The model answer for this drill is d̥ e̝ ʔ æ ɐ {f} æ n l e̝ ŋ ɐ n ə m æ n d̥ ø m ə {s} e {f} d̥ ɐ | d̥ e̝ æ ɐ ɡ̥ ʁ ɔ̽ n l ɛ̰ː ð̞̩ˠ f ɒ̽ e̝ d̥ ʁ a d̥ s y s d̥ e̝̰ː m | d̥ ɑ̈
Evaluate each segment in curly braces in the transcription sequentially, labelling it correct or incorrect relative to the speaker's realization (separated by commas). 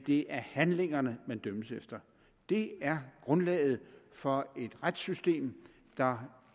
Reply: incorrect, correct, correct